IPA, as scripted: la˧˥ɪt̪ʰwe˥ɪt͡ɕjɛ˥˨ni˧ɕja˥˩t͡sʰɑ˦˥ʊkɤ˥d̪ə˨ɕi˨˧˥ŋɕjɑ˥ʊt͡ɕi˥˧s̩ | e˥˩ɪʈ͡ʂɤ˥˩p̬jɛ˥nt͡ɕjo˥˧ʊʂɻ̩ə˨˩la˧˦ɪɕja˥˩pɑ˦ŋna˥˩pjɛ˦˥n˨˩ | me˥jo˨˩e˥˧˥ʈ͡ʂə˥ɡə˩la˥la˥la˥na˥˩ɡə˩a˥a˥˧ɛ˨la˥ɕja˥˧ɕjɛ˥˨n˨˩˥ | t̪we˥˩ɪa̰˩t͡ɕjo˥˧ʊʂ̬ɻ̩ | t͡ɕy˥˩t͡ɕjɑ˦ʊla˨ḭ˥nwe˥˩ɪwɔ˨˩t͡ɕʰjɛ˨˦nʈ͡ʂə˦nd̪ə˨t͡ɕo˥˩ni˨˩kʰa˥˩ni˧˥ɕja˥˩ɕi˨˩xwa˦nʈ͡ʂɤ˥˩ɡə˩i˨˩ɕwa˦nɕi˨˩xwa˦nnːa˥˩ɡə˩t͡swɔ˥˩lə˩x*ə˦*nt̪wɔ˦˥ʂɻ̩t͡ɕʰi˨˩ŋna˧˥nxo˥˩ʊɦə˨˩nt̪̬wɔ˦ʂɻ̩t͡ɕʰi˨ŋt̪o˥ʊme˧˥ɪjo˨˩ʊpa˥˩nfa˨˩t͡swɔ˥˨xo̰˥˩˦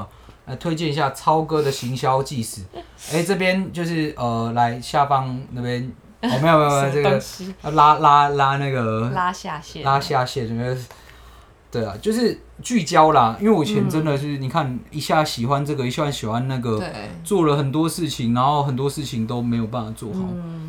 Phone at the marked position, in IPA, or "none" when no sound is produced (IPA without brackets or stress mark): ə˨˩